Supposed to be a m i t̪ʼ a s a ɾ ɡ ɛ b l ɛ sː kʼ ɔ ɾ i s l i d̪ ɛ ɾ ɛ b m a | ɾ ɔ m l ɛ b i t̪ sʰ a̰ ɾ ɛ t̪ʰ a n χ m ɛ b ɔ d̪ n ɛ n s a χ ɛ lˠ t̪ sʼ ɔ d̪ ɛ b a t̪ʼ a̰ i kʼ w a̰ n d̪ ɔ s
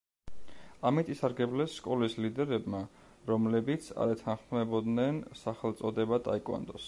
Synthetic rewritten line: a m i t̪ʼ i s a ɾ ɡ ɛ b l ɛ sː kʼ ɔ l i s l i d̪ ɛ ɾ ɛ b m a | ɾ ɔ m l ɛ b i t̪ sʰ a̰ ɾ ɛ t̪ʰ a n χ m ɛ b ɔ d̪ n ɛ n s a χ ɛ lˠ t̪ sʼ ɔ d̪ ɛ b a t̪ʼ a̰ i kʼ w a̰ n d̪ ɔ s